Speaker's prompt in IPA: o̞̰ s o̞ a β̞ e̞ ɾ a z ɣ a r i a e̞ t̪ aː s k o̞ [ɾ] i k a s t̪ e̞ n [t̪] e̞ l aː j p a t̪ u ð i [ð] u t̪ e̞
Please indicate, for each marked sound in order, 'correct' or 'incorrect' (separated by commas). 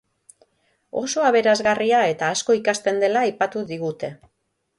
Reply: incorrect, incorrect, incorrect